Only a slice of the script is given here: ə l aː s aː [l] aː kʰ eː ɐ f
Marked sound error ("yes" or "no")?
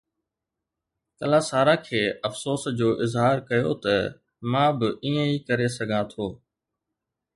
yes